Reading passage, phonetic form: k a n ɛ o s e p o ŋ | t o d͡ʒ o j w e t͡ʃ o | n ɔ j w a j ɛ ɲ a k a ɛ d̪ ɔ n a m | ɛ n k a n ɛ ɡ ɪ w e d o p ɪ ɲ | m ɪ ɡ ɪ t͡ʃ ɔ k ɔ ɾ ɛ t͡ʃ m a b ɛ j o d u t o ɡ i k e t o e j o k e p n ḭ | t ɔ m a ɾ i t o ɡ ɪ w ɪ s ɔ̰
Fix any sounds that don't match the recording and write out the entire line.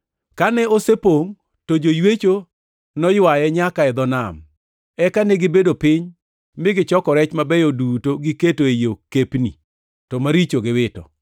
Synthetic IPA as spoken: k a n ɛ o s e p o ŋ | t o d͡ʒ o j w e t͡ʃ o | n ɔ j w a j ɛ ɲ a k a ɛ d̪ ɔ n a m | ɛ k a n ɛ ɡ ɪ b e d o p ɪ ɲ | m ɪ ɡ ɪ t͡ʃ ɔ k ɔ ɾ ɛ t͡ʃ m a b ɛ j o d u t o ɡ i k e t o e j o k e p n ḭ | t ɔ m a ɾ i t͡ʃ o ɡ ɪ w ɪ t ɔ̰